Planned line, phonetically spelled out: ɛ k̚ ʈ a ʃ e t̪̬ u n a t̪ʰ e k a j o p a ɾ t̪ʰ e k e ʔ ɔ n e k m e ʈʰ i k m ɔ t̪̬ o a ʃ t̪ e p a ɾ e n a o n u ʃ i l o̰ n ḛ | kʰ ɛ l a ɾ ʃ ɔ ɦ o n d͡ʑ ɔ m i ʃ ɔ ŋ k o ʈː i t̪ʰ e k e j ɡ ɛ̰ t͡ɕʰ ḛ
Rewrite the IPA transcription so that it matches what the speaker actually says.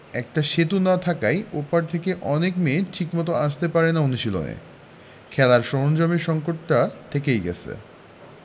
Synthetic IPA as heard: ɛ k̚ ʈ a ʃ e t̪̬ u n a t̪ʰ a k a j o p a ɾ t̪ʰ e k e ʔ ɔ n e k m e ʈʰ i k m ɔ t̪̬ o a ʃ t̪ e p a ɾ e n a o n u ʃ i l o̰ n ḛ | kʰ ɛ l a ɾ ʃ ɔ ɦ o n d͡ʑ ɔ m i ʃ ɔ ŋ k o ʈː a t̪ʰ e k e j ɡ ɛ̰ t͡ɕʰ ḛ